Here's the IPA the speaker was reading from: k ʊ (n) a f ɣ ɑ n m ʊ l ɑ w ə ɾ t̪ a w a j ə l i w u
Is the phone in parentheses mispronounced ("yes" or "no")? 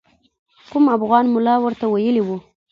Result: yes